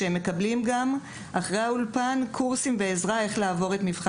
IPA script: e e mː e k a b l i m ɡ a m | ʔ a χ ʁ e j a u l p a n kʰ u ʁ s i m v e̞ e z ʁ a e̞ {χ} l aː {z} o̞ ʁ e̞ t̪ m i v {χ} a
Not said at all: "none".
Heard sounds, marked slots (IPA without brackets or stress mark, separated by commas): χ, v, χ